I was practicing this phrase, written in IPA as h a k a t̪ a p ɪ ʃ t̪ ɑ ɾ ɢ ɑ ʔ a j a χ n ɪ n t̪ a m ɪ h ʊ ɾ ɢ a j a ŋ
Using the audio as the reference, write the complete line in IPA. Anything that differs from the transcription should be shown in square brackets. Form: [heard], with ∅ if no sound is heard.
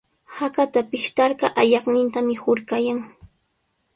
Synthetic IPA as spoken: h a k a t̪ a p ɪ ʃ t̪ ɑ ɾ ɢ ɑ ʔ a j [ɑ] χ n ɪ n t̪ a m ɪ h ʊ ɾ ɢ a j a ŋ